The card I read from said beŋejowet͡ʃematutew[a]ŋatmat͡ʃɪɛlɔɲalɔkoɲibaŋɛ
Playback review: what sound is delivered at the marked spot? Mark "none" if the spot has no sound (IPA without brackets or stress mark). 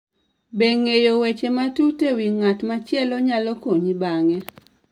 i